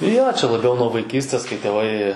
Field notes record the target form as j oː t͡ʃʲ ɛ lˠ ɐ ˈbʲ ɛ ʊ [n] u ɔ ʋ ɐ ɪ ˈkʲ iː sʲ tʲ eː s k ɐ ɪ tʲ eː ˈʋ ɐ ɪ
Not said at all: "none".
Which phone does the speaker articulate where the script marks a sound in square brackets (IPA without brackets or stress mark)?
n